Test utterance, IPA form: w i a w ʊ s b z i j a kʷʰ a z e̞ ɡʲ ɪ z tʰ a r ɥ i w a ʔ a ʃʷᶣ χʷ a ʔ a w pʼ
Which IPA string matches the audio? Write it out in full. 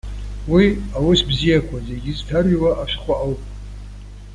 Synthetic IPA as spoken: w i a w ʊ s b z i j a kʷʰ a z e̞ ɡʲ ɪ z tʰ a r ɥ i w a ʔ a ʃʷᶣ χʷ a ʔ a w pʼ